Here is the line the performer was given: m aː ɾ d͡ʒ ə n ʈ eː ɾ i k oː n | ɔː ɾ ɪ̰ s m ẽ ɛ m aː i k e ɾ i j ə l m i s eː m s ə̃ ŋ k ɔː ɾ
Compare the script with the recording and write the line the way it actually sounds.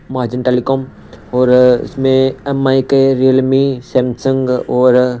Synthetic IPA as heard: m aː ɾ d͡ʒ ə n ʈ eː l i k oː m | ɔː ɾ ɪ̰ s m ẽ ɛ m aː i k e ɾ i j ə l m i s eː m s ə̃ ŋ ɡ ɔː ɾ